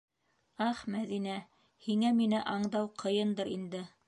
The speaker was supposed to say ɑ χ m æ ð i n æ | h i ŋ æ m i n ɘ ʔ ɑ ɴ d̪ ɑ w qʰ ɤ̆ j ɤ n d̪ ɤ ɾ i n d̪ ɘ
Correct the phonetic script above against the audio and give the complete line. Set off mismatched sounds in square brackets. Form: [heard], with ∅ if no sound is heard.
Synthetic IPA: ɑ χ m æ ð i n æ | h i ŋ æ m i n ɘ ʔ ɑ ɴ d̪ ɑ w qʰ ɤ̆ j ɤ n d̪ ɤ ɾ i n d̪ ɘ